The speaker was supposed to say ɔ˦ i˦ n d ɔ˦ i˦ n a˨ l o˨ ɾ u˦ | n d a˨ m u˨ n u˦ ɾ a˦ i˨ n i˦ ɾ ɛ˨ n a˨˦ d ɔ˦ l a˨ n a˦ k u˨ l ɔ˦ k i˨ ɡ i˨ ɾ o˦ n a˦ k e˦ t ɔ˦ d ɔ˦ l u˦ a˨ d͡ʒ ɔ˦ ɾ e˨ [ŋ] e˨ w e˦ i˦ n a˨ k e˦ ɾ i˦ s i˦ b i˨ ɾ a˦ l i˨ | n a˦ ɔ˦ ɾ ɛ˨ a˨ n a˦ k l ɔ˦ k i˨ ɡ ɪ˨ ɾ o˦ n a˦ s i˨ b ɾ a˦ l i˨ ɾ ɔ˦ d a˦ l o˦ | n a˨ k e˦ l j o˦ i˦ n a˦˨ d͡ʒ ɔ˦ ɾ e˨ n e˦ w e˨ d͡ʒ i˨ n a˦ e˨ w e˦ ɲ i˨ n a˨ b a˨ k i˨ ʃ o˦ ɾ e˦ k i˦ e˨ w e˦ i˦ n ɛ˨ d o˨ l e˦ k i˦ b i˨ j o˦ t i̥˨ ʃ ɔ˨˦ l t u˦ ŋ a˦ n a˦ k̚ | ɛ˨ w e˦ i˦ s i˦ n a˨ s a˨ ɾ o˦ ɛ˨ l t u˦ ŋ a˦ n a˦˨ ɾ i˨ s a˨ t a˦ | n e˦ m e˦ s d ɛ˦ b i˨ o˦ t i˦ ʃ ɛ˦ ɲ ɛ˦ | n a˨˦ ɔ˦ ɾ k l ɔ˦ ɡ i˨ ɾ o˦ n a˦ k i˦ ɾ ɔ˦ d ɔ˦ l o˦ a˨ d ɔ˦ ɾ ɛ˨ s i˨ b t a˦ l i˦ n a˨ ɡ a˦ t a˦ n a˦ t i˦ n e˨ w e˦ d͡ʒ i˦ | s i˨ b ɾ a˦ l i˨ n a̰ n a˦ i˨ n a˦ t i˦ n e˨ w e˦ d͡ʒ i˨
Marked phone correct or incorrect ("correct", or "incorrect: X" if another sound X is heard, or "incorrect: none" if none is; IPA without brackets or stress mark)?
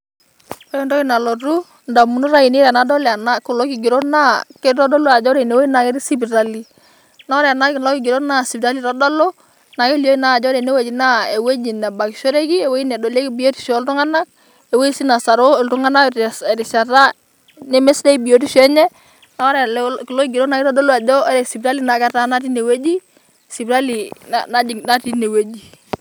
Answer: incorrect: n